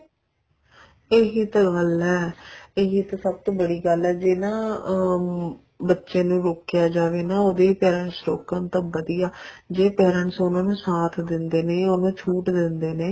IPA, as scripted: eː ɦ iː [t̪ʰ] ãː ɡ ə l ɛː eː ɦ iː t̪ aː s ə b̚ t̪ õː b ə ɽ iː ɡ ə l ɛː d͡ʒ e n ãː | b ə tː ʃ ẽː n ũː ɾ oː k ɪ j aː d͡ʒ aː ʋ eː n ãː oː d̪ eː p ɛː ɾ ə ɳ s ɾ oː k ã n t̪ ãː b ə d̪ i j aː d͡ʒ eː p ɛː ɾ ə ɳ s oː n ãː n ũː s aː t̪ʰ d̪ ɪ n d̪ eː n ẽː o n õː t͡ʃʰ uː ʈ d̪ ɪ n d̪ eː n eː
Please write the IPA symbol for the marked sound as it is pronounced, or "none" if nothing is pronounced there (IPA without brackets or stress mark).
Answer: t̪